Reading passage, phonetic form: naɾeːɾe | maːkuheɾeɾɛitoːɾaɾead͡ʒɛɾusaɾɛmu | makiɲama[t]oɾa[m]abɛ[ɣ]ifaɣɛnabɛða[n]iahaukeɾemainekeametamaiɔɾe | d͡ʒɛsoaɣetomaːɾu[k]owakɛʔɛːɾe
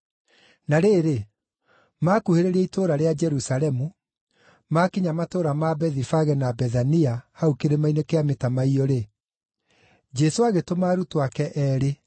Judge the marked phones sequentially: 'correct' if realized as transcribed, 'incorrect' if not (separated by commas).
correct, correct, incorrect, correct, incorrect